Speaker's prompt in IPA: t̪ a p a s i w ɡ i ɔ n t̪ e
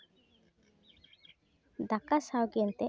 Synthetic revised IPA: d̪ a k a s a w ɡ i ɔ n t̪ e